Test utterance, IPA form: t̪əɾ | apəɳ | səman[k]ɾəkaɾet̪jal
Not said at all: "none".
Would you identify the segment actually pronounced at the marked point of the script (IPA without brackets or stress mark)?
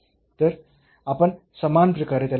p